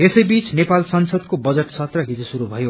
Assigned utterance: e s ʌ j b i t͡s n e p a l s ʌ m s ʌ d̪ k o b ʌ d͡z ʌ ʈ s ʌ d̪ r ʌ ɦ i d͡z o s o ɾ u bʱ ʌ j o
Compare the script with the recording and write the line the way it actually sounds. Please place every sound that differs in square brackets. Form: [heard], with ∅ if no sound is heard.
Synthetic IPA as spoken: e s ʌ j b i t͡s n e p a l s ʌ [n] s ʌ d̪ k o b ʌ d͡z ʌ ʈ s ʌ [t̪] r ʌ ɦ i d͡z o s [u] ɾ u bʱ ʌ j o